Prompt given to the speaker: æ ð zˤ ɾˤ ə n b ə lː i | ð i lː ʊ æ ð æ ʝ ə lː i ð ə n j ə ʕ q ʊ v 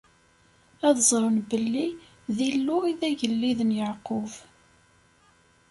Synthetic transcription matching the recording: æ ð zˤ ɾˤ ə n b ə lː i | ð i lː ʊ i ð æ ʝ ə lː i ð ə n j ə ʕ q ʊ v